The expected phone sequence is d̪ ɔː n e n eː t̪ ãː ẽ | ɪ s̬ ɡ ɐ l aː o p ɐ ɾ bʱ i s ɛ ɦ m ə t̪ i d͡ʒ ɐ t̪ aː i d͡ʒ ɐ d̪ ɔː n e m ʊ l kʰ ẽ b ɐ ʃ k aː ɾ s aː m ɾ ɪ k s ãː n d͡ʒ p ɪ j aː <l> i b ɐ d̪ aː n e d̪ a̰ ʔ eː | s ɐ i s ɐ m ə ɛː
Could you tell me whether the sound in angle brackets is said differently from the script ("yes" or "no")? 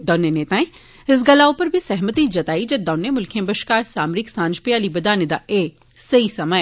no